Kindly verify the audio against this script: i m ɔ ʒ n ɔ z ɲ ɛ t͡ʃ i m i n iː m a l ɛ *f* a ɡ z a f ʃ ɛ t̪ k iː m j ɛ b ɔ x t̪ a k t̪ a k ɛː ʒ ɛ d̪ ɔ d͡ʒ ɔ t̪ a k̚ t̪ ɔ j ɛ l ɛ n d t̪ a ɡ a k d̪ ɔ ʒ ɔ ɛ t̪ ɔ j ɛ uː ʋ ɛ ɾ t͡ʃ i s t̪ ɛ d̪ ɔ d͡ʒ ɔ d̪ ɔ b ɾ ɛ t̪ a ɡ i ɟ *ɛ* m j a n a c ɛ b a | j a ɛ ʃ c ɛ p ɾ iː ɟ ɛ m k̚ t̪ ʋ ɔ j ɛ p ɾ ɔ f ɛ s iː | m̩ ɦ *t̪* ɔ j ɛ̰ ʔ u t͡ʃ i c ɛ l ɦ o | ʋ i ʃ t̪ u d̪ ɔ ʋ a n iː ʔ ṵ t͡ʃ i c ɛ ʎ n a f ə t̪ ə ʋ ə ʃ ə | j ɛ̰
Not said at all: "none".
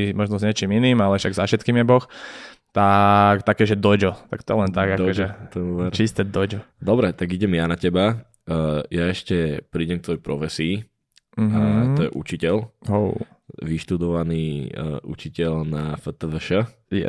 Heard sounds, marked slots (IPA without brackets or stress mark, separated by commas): ʃ, ɛ, t̪